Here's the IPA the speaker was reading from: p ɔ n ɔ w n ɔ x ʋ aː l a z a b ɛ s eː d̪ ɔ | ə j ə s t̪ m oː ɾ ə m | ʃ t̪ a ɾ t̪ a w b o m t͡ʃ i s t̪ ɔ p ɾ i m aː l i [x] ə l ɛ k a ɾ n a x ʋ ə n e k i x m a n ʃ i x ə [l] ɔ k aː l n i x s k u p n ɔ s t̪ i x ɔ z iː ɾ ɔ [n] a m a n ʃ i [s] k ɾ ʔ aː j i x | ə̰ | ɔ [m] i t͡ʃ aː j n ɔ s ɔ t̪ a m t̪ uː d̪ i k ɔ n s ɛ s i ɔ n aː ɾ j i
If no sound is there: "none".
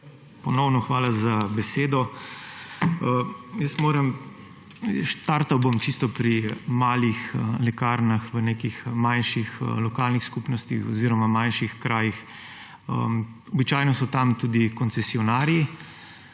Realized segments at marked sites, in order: x, l, m, x, b

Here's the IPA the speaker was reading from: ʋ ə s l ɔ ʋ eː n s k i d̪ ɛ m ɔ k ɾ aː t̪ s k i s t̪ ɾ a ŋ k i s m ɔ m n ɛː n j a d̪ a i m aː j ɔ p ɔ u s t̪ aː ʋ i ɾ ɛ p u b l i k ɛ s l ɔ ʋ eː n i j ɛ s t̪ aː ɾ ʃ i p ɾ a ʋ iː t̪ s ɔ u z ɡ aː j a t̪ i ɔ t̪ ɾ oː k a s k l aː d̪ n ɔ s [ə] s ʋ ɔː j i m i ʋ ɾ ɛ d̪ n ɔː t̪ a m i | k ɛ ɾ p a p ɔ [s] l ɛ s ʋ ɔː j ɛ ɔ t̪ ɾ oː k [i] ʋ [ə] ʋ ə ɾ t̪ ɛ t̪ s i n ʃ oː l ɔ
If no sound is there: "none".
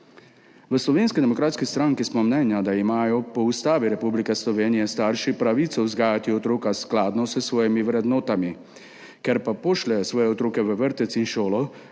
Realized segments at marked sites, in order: ə, ʃ, ɛ, ə

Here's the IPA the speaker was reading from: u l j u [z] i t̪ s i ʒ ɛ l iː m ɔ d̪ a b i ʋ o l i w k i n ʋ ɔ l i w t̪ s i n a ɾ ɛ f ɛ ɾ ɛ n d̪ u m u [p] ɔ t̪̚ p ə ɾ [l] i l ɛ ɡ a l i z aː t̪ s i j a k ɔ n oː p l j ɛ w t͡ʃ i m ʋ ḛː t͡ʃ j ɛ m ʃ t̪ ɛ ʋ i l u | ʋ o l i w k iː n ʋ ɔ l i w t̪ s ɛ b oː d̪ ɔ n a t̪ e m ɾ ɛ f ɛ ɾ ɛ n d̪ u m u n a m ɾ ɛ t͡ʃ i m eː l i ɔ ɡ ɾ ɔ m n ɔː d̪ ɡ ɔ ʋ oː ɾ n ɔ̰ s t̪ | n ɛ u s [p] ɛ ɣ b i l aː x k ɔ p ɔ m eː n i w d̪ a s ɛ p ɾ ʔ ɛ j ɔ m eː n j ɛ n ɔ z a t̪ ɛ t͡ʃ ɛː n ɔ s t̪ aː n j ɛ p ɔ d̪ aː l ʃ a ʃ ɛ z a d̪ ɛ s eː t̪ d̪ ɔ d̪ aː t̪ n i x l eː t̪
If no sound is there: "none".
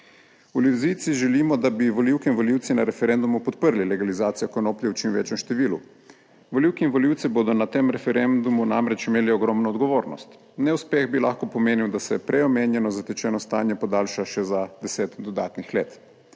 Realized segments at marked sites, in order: z, p, l, p

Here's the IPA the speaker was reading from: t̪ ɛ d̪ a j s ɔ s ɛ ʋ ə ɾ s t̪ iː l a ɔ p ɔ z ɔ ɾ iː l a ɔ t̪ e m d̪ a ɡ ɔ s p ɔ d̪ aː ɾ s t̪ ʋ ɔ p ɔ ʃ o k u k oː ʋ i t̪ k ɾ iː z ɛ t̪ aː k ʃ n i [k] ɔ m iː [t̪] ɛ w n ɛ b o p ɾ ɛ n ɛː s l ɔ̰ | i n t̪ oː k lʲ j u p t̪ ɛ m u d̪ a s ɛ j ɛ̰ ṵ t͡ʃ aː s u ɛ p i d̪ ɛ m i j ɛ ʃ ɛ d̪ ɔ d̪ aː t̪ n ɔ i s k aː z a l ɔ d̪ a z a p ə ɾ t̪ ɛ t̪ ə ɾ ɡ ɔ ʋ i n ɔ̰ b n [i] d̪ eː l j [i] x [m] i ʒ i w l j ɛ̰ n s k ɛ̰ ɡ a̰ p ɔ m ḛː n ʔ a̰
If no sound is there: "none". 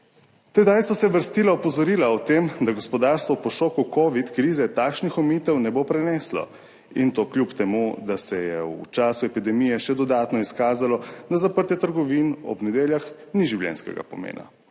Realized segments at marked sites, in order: x, t̪, ɛ, a, n

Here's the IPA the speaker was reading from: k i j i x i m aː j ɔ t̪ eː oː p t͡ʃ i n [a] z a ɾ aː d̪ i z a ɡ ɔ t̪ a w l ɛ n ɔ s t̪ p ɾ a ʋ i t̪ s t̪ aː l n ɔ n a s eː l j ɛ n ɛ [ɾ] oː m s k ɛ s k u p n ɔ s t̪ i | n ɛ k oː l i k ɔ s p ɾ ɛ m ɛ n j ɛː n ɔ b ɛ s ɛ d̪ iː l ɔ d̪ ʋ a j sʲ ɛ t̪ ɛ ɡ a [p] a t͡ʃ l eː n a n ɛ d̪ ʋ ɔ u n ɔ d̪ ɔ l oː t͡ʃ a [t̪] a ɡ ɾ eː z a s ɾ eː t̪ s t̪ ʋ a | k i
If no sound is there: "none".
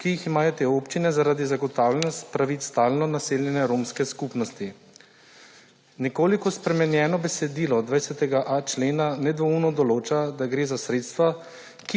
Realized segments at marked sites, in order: ɛ, ɾ, ʔ, d̪

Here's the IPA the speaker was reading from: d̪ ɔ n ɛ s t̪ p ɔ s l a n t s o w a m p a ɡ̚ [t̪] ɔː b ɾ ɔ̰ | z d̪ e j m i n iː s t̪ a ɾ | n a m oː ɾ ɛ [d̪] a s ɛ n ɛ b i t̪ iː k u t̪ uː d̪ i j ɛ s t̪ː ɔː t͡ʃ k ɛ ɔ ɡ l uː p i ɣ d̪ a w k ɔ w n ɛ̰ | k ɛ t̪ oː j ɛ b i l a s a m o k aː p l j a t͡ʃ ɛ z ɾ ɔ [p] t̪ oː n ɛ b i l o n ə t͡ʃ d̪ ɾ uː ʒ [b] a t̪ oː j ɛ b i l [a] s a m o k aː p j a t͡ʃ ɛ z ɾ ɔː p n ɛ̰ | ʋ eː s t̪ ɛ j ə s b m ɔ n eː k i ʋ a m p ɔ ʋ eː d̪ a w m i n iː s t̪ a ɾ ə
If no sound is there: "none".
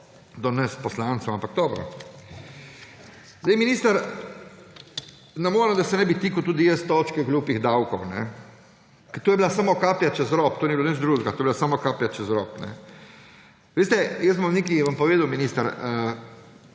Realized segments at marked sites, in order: d̪, d̪, p, ɡ, a

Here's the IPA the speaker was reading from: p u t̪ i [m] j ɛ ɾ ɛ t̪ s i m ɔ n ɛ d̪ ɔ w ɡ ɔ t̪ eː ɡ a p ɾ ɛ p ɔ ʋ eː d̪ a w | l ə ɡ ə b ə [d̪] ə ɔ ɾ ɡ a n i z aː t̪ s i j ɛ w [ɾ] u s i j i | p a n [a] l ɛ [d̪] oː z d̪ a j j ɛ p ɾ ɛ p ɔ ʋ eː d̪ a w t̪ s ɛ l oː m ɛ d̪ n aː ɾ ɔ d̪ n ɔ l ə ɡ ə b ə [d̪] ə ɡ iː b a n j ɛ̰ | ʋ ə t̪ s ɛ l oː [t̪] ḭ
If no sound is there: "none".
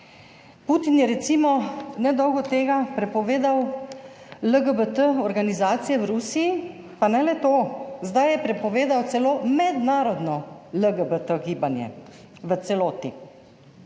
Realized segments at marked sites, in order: n, t̪, ɾ, ɛ, t̪, t̪, t̪

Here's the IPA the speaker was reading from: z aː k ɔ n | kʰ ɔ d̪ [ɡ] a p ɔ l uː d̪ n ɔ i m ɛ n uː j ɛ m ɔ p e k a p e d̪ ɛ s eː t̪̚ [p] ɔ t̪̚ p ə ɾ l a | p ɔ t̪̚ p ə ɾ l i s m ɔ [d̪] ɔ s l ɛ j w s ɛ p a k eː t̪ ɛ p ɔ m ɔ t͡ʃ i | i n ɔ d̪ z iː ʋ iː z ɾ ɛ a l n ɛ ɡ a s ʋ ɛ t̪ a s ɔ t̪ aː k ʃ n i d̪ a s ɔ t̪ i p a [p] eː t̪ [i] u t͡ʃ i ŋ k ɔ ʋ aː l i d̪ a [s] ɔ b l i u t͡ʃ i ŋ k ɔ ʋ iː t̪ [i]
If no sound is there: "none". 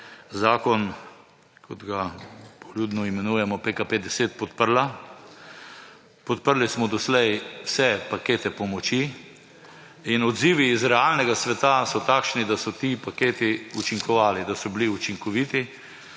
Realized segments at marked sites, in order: ɡ, p, d̪, k, i, s, i

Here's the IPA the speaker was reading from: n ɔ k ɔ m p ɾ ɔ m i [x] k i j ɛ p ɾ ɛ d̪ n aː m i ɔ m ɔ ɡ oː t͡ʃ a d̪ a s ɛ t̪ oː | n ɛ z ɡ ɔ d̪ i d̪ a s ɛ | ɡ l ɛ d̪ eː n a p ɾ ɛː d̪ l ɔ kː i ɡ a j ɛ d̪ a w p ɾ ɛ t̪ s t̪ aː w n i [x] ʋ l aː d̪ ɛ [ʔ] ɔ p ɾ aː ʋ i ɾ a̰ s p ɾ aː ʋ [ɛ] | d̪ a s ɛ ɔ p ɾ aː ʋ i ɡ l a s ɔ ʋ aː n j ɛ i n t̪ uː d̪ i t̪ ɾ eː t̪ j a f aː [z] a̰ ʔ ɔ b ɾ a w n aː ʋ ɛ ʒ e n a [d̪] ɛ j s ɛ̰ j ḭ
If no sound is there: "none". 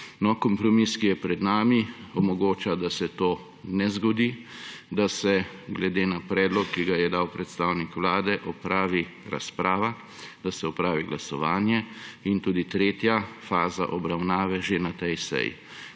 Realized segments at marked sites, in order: s, k, ʔ, a, z, t̪

